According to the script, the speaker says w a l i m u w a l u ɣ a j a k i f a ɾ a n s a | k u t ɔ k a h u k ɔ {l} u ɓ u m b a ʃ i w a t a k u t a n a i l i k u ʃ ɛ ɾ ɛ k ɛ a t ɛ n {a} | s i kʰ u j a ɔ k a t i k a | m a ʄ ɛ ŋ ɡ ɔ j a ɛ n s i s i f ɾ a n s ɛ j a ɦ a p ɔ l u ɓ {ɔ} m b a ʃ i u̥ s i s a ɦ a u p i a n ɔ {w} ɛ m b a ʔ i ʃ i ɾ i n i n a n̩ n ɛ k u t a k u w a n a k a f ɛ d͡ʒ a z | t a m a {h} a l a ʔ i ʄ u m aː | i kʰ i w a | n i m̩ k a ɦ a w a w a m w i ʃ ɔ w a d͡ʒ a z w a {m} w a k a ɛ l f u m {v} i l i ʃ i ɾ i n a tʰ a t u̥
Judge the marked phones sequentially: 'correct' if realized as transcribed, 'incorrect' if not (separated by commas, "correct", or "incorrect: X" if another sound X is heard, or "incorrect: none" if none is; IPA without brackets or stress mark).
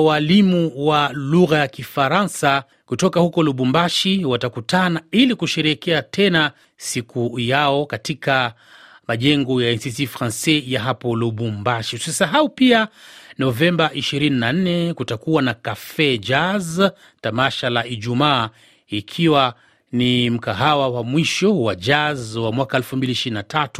correct, correct, incorrect: u, incorrect: v, incorrect: ʃ, correct, incorrect: b